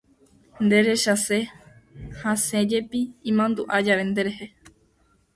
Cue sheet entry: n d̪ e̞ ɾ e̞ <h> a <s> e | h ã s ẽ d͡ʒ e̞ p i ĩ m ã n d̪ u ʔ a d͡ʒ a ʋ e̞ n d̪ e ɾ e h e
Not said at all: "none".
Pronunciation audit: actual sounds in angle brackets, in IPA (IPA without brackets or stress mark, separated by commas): ʃ, s